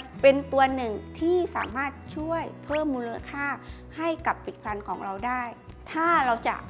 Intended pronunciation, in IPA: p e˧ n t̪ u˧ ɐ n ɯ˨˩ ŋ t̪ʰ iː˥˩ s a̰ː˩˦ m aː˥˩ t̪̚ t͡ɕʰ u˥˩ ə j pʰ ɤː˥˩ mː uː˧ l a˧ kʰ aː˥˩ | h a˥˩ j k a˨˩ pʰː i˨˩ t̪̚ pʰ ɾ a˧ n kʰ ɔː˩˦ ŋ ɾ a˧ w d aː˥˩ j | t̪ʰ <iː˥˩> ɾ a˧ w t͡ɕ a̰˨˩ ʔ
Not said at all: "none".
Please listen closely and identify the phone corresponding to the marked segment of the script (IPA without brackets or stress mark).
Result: aː˥˩